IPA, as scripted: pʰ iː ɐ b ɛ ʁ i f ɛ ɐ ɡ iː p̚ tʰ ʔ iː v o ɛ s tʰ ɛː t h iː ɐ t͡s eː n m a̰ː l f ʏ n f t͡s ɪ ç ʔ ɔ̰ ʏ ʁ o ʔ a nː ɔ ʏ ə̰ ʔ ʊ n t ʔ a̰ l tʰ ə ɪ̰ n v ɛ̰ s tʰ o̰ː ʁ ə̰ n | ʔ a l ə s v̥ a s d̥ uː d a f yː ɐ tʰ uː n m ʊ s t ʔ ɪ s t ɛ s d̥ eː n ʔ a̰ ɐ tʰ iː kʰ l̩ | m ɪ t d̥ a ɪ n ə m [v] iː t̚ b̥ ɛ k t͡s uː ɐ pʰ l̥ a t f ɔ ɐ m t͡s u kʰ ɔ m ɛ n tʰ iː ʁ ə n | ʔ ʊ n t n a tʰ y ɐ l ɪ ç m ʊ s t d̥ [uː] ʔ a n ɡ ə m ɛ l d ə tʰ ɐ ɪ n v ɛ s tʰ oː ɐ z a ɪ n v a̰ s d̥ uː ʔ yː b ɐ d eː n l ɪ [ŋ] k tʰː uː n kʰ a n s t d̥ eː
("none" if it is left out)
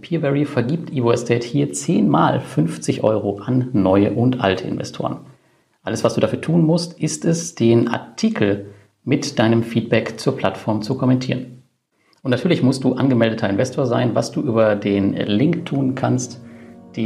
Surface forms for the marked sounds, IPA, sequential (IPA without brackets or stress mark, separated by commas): f, uː, ŋ